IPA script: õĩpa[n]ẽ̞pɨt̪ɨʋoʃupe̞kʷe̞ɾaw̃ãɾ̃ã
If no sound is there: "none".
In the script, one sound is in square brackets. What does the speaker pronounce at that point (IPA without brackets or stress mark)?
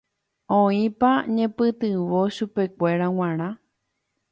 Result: ɲ